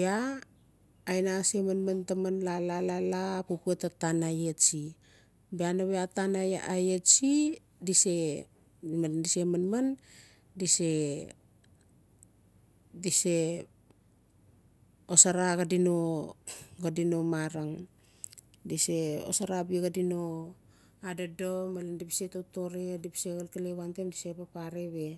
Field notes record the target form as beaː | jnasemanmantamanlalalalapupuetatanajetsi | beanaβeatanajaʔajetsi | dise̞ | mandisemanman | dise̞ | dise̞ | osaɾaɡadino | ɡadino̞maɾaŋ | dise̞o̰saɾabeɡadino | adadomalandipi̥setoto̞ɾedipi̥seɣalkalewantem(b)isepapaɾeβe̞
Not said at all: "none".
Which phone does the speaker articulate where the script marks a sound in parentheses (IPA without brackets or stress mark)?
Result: d